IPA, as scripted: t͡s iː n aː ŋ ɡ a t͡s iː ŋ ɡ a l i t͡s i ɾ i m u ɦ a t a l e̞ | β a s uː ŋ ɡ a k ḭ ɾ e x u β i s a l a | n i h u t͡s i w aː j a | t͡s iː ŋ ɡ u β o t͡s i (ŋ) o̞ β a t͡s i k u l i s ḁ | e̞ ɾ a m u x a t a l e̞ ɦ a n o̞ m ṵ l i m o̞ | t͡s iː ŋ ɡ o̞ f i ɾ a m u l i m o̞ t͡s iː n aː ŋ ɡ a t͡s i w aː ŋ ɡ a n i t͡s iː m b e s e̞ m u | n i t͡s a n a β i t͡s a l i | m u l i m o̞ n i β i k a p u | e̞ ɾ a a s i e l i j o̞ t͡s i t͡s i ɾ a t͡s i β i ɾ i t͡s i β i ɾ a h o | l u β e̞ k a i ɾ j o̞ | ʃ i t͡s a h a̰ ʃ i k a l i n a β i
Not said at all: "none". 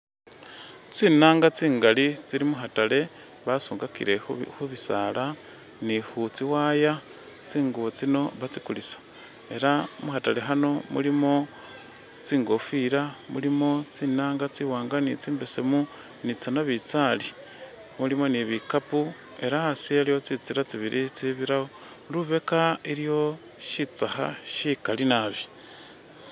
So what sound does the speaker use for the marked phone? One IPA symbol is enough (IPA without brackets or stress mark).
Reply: n